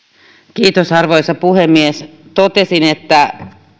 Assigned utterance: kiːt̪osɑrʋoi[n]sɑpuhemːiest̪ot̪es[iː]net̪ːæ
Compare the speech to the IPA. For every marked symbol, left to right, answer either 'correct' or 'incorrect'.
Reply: incorrect, incorrect

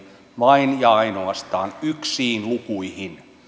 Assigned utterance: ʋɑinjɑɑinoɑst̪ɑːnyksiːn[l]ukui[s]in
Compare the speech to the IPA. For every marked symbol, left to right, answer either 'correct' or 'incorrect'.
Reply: correct, incorrect

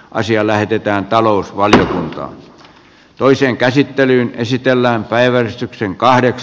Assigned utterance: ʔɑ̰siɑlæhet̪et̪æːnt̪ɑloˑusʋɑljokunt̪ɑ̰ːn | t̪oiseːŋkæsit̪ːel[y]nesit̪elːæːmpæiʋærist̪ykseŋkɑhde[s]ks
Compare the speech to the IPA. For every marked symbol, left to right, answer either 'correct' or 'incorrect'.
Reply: incorrect, incorrect

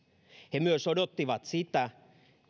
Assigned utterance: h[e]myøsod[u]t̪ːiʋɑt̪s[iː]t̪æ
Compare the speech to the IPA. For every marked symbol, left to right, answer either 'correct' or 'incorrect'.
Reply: correct, incorrect, incorrect

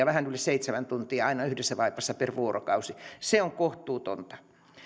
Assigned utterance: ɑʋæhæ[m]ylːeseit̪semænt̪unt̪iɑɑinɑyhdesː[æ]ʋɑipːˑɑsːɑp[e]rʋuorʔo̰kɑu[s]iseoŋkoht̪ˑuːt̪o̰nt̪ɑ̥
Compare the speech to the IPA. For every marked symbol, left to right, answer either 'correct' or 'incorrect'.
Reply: incorrect, correct, correct, correct

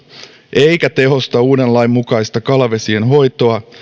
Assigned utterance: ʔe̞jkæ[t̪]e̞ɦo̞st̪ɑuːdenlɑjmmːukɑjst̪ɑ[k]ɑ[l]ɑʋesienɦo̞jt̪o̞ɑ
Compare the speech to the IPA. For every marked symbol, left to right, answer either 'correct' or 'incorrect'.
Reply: correct, correct, correct

